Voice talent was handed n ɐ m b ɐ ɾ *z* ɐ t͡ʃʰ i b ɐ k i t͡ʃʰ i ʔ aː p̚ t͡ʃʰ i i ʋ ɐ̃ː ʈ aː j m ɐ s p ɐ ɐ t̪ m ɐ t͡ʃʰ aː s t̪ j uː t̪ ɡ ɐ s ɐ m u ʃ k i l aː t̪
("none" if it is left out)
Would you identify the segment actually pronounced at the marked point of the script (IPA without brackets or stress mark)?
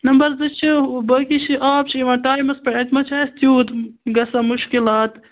z